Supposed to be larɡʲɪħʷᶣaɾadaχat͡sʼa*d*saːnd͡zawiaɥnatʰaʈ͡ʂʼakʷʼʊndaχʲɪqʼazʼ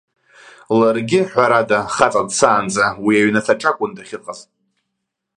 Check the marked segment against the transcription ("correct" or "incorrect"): correct